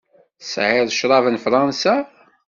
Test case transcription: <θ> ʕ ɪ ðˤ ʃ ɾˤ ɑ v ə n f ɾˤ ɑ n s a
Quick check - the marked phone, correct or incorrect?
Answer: incorrect